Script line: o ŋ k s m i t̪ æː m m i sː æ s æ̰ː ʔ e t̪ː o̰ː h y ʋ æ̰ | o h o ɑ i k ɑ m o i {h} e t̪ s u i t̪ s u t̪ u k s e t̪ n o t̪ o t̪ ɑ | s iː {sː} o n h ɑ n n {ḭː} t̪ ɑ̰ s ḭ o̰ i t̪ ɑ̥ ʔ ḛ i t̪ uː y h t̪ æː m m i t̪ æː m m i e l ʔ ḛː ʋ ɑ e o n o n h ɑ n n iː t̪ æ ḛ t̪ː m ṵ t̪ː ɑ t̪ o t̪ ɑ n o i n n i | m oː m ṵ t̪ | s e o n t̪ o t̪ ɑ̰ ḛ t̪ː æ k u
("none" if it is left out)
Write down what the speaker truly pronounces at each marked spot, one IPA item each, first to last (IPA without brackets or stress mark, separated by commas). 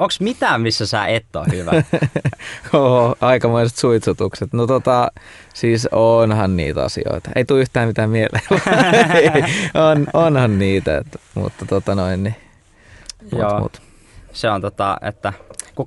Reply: s, s, ḭː